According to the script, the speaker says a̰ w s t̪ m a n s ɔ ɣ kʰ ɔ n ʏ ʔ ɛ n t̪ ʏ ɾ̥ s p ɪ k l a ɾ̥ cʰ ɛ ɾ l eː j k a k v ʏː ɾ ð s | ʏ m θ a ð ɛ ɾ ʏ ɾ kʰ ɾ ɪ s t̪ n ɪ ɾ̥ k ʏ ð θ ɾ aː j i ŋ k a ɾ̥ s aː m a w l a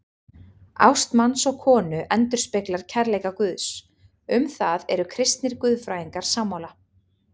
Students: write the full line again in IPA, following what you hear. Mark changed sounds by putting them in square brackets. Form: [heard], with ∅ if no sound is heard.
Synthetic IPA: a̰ w s t̪ m a n s ɔ ɣ kʰ [ɔː] n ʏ ʔ ɛ n t̪ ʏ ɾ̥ s p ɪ k l a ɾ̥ cʰ ɛ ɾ l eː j k a k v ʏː [∅] ð s | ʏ m θ a ð ɛ ɾ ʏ [∅] kʰ ɾ ɪ s t̪ n ɪ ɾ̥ k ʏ ð [f] ɾ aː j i ŋ k a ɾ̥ s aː m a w l a